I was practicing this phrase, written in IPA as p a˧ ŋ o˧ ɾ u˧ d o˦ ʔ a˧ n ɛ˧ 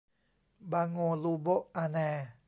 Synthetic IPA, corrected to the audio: b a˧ ŋ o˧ l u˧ b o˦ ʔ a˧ n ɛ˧